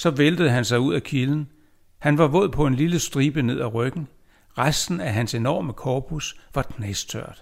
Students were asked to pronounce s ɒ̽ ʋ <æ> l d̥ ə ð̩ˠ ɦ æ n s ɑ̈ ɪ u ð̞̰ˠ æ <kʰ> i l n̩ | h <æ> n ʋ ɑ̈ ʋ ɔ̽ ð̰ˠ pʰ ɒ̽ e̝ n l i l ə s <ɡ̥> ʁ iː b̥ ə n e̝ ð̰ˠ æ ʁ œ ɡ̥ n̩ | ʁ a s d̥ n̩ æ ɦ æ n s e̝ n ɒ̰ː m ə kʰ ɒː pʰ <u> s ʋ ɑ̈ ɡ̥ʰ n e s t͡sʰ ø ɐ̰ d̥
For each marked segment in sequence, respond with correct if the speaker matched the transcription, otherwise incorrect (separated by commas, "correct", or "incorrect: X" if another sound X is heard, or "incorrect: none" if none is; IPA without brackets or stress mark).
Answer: incorrect: e, correct, correct, incorrect: d̥, correct